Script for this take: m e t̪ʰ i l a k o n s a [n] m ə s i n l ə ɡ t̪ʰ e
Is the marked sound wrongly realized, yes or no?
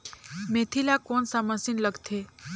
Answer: yes